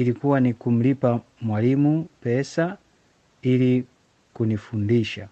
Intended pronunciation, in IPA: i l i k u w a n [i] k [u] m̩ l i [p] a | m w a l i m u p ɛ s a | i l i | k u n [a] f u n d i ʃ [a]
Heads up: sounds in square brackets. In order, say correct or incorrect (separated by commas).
correct, correct, correct, incorrect, correct